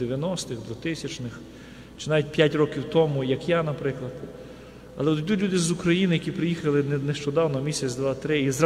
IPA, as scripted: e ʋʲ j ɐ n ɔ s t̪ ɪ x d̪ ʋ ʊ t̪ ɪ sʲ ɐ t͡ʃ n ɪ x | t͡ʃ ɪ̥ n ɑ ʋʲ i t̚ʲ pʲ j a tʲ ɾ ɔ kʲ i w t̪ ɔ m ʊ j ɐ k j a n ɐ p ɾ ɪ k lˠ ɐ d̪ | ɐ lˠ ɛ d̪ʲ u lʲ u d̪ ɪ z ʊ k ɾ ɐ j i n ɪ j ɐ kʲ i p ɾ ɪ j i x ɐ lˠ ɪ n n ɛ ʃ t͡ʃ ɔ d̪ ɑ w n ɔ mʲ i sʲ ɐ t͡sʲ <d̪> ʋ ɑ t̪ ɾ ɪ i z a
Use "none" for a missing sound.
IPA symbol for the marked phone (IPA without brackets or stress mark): d̪